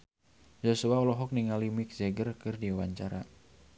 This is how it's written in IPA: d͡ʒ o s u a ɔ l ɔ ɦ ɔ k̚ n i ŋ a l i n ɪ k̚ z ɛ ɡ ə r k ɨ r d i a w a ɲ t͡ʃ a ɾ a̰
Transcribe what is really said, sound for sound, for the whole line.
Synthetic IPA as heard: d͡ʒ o s u a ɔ l ɔ ɦ ɔ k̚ n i ŋ a l i m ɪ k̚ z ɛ ɡ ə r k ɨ r d i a w a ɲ t͡ʃ a ɾ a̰